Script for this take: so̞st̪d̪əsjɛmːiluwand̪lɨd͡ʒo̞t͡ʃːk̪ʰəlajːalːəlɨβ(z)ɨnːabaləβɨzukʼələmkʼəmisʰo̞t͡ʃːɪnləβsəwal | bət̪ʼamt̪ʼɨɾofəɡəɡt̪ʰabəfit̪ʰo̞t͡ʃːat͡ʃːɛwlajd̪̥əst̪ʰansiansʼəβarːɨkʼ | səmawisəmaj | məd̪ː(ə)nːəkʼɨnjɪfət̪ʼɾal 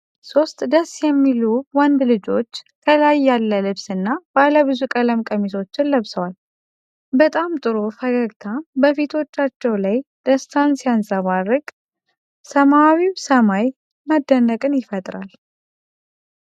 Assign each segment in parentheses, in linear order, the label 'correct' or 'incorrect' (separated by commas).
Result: incorrect, correct